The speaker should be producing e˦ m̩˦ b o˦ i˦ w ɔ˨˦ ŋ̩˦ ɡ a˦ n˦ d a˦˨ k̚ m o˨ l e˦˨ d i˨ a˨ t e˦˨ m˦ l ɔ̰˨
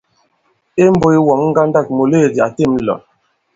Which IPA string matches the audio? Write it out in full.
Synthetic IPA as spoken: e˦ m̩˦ b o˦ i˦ w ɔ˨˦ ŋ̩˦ ɡ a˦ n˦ d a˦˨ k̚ m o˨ l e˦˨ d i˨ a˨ t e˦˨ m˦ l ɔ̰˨